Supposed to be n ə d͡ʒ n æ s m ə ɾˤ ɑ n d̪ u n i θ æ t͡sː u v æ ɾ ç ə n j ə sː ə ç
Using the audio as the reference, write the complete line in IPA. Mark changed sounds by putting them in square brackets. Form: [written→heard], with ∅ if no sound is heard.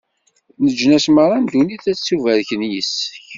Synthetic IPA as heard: n ə d͡ʒ n æ s m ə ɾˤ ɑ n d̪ u n i θ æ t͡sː u v æ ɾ ç ə n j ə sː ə ç